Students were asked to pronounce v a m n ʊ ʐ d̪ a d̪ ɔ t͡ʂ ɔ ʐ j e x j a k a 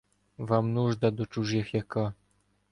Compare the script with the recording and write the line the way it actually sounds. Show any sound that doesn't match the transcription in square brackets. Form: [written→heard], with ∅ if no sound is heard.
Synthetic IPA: v a m n [ʊ→u] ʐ d̪ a d̪ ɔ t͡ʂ [ɔ→u] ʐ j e x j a k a